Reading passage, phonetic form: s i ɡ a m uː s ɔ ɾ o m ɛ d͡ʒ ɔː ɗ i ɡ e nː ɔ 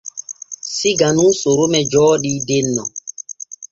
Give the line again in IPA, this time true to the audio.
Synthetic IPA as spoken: s i ɡ a n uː s o ɾ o m ɛ d͡ʒ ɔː ɗ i d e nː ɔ